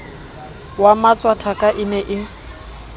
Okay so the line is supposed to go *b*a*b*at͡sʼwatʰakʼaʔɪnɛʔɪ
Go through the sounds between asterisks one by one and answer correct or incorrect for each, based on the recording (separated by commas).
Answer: incorrect, incorrect